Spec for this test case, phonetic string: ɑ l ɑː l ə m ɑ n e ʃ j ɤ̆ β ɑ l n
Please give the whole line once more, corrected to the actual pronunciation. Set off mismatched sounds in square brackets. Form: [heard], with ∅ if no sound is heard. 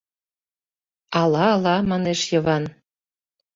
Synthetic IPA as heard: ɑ l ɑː l [ɑ] m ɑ n e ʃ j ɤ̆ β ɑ [∅] n